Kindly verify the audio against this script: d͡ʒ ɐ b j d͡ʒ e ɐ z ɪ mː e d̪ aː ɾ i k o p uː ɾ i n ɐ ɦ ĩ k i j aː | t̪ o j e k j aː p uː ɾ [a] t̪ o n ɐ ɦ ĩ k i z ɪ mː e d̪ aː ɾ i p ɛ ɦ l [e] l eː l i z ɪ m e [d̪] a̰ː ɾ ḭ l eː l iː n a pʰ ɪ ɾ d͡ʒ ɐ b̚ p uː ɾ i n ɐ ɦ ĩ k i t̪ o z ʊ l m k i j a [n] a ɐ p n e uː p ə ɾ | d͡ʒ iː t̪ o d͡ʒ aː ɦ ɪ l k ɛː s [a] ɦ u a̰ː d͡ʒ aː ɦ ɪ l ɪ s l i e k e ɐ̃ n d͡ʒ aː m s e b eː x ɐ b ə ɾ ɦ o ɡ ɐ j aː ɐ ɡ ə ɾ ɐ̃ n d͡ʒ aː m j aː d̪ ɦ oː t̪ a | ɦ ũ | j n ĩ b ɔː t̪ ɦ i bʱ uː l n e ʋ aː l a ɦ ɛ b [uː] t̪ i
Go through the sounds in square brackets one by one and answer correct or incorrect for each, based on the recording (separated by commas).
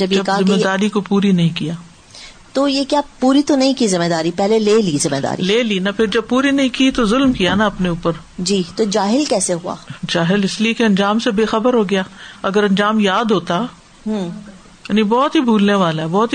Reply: incorrect, correct, correct, correct, incorrect, incorrect